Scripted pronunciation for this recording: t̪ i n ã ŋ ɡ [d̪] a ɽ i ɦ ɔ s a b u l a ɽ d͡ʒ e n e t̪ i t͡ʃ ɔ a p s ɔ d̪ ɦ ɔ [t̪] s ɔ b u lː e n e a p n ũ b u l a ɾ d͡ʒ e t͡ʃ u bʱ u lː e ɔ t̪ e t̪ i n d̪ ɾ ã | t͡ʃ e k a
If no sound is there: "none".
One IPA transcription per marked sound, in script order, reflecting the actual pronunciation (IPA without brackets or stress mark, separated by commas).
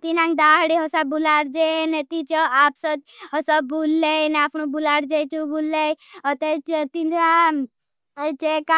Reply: d̪, none